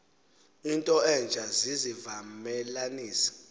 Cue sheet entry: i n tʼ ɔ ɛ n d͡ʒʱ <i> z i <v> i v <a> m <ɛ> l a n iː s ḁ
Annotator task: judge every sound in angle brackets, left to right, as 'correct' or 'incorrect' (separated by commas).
incorrect, incorrect, correct, correct